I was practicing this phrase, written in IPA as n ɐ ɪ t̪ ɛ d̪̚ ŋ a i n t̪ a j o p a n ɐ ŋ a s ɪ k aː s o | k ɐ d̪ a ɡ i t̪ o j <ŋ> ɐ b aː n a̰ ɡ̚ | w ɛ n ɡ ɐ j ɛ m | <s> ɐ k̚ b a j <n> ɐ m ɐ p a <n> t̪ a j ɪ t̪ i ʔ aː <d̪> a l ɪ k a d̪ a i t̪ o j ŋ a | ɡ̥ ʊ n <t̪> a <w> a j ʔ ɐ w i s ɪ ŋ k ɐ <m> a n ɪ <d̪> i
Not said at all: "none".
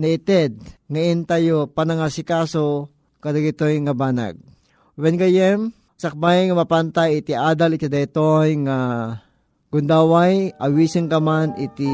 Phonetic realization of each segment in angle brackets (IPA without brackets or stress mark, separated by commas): ŋ, s, ŋ, n, d̪, d̪, w, m, t̪